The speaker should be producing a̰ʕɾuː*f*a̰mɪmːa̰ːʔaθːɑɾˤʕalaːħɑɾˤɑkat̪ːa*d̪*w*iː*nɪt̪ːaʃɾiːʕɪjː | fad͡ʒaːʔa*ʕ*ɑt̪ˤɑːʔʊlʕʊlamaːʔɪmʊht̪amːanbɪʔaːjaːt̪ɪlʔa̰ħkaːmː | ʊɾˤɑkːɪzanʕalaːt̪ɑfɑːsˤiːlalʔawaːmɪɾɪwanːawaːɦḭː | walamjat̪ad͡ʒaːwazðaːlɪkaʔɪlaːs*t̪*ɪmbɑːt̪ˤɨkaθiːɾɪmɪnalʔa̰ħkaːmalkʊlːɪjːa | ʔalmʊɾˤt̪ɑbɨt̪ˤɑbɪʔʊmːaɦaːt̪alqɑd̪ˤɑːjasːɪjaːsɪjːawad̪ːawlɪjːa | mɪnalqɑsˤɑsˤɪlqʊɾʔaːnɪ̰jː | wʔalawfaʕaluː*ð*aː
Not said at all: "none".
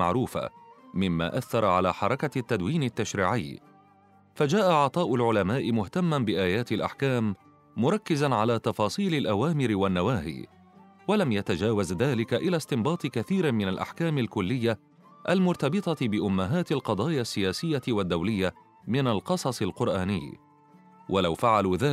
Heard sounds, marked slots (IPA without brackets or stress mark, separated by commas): f, d̪, iː, ʕ, t̪, ð